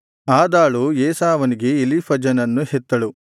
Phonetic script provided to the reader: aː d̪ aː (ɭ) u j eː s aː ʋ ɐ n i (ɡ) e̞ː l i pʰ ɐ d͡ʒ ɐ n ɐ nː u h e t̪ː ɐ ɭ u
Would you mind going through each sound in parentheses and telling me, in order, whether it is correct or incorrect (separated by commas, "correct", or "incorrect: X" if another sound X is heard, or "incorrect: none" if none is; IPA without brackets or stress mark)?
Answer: correct, correct